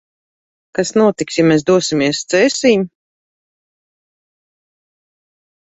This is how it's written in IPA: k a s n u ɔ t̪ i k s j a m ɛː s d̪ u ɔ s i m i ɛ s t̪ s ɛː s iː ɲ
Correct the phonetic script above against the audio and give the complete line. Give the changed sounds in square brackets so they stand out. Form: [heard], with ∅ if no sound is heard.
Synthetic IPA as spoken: k a s n u ɔ t̪ i k s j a m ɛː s d̪ u ɔ s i m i ɛ s t̪ s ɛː s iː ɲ

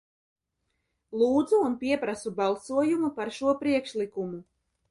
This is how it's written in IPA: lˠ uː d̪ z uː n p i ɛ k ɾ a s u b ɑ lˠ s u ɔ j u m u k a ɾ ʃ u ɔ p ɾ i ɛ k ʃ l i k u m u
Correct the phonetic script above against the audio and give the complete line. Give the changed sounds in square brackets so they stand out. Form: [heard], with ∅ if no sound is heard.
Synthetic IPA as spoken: lˠ uː d̪ z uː n p i ɛ [p] ɾ a s u b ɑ lˠ s u ɔ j u m u [p] a ɾ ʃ u ɔ p ɾ i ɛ k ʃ l i k u m u

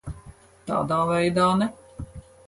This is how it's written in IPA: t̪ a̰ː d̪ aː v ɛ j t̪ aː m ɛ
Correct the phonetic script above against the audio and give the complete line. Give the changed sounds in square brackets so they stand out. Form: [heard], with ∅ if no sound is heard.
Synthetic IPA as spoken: t̪ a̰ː d̪ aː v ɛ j [d̪] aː [n] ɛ

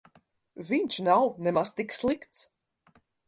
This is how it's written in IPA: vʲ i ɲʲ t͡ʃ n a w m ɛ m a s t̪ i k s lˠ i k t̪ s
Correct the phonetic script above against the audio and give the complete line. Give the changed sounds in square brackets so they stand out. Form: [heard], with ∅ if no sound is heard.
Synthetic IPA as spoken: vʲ i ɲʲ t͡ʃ n a w [n] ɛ m a s t̪ i k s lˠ i k t̪ s

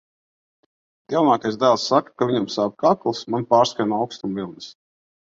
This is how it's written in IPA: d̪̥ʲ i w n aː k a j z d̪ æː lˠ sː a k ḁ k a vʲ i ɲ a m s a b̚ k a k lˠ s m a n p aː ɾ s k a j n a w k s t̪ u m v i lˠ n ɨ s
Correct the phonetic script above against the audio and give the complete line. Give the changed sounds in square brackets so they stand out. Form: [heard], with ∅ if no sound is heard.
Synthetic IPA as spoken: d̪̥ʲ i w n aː k a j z d̪ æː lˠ sː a k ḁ k a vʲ i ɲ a m s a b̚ k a k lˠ s m a n p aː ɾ s k a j n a w k s t̪ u m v i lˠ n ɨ s

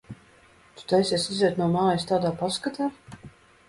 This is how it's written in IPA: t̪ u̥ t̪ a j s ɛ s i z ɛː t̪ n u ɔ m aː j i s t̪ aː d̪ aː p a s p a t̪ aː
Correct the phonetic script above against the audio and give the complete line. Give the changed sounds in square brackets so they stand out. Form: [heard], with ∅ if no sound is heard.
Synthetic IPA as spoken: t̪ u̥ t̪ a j s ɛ s i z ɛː t̪ n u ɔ m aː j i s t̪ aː d̪ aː p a s [k] a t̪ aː

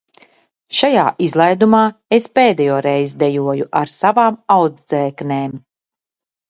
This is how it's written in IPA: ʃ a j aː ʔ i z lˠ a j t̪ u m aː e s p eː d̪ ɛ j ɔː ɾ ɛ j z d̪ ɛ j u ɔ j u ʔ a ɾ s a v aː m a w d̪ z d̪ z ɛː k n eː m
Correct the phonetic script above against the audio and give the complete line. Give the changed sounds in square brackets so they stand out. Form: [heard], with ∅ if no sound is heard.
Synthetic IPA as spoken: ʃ a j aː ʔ i z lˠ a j [d̪] u m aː e s p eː d̪ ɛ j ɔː ɾ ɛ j z d̪ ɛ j u ɔ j u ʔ a ɾ s a v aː m a w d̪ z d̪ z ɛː k n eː m

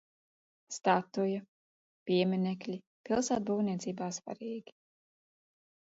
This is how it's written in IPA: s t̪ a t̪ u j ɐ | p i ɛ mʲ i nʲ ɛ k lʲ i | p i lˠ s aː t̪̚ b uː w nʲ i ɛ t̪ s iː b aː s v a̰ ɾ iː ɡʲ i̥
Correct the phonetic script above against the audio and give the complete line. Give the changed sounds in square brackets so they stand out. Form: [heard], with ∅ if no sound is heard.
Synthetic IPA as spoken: s t̪ a t̪ u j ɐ | p i ɛ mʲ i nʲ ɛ k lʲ i | p i lˠ s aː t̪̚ b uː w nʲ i ɛ t̪ s iː b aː s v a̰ ɾ iː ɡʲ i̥

